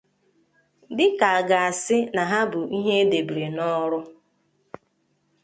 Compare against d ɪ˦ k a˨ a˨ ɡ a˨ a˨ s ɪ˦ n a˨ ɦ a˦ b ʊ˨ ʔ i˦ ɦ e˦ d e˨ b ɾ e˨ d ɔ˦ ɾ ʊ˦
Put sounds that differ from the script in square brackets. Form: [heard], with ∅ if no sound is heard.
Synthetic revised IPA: d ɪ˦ k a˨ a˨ ɡ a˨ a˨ s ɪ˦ n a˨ ɦ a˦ b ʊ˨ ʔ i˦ ɦ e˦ d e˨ b ɾ e˨ [n] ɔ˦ ɾ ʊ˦